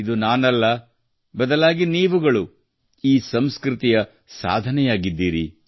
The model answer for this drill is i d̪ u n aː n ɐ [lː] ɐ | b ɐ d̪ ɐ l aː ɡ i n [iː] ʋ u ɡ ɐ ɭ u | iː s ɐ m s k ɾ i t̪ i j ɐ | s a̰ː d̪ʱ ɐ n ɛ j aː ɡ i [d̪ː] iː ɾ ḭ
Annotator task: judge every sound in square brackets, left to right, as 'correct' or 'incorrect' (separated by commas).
correct, correct, correct